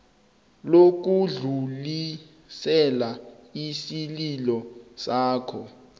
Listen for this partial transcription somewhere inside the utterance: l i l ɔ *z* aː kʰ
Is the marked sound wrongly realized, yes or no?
yes